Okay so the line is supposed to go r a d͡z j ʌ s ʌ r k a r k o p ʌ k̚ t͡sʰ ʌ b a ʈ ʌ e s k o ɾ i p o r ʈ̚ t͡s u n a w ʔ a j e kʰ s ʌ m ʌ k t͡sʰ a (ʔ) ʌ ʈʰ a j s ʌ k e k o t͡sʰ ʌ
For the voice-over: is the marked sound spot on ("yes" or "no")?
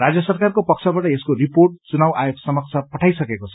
no